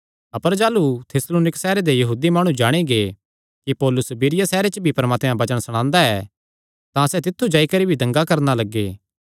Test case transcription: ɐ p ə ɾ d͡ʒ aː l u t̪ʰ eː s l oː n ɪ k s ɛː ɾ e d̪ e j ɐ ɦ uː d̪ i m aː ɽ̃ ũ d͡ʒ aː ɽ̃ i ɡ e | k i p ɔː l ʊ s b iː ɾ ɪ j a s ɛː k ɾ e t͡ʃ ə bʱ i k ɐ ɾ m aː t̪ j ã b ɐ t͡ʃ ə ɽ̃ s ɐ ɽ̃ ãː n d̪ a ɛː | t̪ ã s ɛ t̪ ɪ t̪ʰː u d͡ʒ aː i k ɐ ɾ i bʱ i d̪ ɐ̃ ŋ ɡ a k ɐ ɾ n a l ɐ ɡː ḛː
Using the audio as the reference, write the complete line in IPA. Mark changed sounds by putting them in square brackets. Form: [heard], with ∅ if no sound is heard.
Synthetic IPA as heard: ɐ p ə ɾ d͡ʒ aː l u t̪ʰ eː s l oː n ɪ k s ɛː ɾ e d̪ e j ɐ ɦ uː d̪ i m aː ɽ̃ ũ d͡ʒ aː ɽ̃ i ɡ e | k i p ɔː l ʊ s b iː ɾ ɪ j a s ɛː [∅] ɾ e t͡ʃ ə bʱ i [p] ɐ ɾ m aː t̪ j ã b ɐ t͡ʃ ə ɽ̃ s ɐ ɽ̃ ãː n d̪ a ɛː | t̪ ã s ɛ t̪ ɪ t̪ʰː u d͡ʒ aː i k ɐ ɾ i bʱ i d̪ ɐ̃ ŋ ɡ a k ɐ ɾ n a l ɐ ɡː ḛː